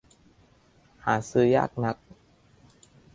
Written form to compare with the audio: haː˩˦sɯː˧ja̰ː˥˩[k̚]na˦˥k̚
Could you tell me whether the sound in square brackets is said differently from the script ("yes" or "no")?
no